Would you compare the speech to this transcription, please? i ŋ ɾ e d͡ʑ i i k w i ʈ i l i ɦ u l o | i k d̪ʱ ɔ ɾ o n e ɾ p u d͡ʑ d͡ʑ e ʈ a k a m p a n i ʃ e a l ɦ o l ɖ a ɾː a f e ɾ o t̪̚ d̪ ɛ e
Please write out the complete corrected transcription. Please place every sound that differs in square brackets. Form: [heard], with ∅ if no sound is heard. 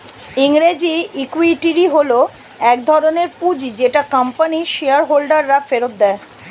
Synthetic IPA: i ŋ ɾ e d͡ʑ i i k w i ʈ i [ɾ] i ɦ [o] l o | [ɛ] k d̪ʱ ɔ ɾ o n e ɾ p u d͡ʑ d͡ʑ e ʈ a k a m p a n i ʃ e a [ɾ] ɦ o l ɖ a ɾː a f e ɾ o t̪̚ d̪ ɛ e